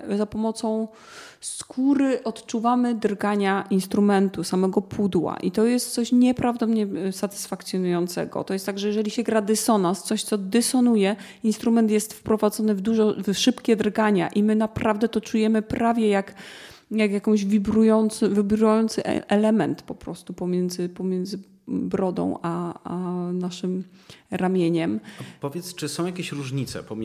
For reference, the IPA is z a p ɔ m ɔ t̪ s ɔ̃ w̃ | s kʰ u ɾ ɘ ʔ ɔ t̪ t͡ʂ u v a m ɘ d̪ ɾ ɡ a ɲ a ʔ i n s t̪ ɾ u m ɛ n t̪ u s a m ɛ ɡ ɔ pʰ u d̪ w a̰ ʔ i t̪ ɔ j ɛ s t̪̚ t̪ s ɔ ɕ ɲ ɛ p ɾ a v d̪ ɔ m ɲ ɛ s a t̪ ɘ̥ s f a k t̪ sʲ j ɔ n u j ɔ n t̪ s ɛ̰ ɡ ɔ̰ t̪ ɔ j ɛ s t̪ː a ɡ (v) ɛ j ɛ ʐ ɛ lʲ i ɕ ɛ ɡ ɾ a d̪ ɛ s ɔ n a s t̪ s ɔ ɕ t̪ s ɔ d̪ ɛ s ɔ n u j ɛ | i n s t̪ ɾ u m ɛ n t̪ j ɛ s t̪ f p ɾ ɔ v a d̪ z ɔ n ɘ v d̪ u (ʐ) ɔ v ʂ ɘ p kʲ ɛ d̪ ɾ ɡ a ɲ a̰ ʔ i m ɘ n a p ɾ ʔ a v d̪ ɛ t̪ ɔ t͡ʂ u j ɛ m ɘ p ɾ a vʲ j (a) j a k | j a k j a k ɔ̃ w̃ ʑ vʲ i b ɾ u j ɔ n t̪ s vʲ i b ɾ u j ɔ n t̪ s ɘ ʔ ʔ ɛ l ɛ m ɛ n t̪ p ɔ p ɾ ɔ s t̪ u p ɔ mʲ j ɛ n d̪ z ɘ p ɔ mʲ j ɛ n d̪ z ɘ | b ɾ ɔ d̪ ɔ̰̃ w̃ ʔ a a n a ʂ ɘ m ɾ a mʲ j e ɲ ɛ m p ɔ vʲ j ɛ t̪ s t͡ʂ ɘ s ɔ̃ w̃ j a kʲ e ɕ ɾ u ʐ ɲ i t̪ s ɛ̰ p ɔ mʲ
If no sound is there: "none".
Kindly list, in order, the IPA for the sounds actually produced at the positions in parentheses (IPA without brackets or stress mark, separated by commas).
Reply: ʐ, ʐ, ɛ